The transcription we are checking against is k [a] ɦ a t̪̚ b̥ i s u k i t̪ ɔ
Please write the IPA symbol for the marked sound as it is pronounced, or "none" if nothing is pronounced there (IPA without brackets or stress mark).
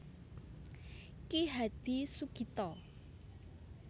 i